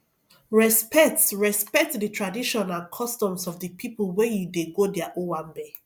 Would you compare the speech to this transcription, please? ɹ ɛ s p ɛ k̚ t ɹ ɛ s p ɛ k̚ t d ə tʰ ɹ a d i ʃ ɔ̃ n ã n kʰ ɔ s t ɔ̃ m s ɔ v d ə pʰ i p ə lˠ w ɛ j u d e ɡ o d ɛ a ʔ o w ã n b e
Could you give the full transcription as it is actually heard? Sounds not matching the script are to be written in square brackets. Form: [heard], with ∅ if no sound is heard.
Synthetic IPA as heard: ɹ ɛ s p ɛ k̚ t ɹ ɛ s p ɛ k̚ t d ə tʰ ɹ a d i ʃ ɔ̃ n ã n kʰ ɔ s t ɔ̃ m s ɔ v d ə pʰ i p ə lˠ w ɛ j u d e ɡ o d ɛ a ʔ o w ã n b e